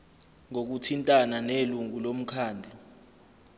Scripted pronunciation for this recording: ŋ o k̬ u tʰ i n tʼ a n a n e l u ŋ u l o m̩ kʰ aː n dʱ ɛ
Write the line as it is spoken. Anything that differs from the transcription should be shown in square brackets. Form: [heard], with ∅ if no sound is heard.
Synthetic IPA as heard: ŋ o k̬ u tʰ i n tʼ a n a n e l u ŋ u l o m̩ kʰ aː n dʱ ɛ